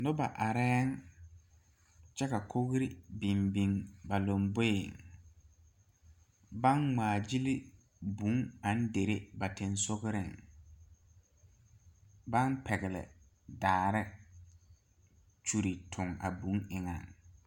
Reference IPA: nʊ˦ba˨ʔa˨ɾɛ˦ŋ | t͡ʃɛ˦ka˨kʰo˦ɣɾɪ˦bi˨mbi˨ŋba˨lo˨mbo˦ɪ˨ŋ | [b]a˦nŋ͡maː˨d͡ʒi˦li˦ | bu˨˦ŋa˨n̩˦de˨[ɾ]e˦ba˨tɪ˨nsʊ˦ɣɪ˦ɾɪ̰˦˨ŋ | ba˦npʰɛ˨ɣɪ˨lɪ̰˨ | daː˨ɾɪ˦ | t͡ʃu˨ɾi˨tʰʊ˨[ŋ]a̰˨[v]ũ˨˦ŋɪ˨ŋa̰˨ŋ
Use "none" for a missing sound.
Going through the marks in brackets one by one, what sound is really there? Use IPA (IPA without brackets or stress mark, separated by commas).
b, ɾ, ŋ, b